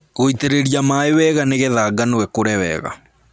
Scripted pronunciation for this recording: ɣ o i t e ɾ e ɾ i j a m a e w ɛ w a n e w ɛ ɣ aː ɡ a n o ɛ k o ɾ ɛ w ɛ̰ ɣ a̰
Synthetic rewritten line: ɣ o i t e ɾ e ɾ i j a m a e w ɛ ɣ a n e ɣ ɛ ð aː ɡ a n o ɛ k o ɾ ɛ w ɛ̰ ɣ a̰